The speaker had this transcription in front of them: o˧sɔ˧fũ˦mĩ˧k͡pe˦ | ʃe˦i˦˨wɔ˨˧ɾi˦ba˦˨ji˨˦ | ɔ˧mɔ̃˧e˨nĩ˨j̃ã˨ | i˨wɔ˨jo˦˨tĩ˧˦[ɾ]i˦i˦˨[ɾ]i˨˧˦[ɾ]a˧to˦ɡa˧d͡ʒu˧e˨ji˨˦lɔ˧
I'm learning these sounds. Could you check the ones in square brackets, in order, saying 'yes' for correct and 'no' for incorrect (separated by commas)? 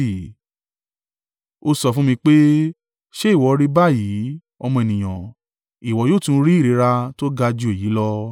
yes, yes, yes